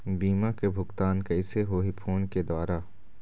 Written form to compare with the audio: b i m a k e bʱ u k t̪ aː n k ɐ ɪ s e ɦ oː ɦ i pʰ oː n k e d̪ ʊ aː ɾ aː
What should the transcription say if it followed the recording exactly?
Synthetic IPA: b iː m a k e bʱ ʊ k t̪ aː n k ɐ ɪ s e ɦ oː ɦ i pʰ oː n k e d̪ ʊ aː ɾ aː